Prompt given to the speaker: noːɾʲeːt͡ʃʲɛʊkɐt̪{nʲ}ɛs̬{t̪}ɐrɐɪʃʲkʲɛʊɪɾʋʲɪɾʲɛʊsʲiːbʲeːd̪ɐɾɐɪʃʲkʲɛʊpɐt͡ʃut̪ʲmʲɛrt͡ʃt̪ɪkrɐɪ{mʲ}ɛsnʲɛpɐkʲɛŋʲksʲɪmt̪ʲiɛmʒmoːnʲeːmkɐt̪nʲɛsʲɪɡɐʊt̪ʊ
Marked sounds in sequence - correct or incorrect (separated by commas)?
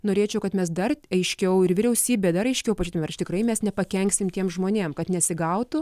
incorrect, incorrect, correct